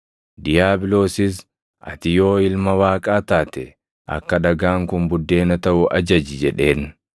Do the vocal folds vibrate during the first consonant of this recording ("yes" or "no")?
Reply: yes